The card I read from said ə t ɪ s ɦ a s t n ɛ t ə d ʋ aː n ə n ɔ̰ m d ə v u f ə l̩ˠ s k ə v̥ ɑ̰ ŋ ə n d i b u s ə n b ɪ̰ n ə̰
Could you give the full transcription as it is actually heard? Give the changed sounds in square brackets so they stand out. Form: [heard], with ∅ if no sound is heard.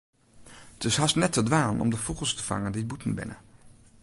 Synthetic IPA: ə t ɪ s ɦ [ɑ] s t n ɛ t ə d ʋ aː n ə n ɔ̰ m d ə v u [χ] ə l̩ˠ s [t] ə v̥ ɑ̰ ŋ ə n d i b u [t] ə n b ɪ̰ n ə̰